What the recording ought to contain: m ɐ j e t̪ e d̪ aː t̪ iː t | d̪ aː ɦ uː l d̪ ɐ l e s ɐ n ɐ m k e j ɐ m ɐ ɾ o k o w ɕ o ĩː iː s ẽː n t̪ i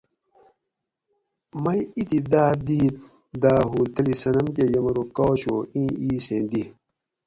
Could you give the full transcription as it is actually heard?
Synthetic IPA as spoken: m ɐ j i t̪ i d̪ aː d̪ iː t | d̪ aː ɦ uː l t̪ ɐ l i s ɐ n ɐ m k e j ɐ m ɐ ɾ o k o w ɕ o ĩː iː s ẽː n d̪ i